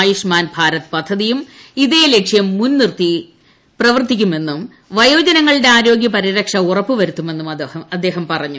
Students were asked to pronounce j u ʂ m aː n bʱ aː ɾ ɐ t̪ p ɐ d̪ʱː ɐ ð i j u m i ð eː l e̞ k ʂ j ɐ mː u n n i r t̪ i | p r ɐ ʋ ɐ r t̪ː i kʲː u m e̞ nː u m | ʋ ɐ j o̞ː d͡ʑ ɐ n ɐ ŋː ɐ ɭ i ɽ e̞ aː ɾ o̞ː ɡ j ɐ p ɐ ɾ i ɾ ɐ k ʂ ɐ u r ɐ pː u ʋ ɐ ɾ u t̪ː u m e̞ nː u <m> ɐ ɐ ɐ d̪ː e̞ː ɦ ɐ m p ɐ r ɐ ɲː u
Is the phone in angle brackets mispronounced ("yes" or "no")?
no